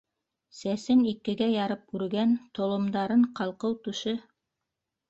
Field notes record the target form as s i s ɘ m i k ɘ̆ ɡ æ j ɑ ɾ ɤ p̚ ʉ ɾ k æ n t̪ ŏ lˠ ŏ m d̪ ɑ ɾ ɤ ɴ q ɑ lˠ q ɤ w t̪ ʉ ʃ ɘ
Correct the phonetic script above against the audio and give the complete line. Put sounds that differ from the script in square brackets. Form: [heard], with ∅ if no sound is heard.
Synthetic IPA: s [æ] s ɘ [n] i k ɘ̆ ɡ æ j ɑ ɾ ɤ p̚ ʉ ɾ [ɡ] æ n t̪ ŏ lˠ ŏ m d̪ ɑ ɾ ɤ ɴ q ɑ lˠ q ɤ w t̪ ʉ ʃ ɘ